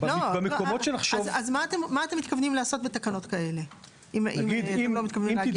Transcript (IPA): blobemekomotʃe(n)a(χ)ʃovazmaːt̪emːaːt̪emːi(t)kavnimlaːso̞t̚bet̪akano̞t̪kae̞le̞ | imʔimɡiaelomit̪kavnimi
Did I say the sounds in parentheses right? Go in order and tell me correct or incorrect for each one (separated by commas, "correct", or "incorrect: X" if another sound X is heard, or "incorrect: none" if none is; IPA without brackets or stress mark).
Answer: correct, correct, correct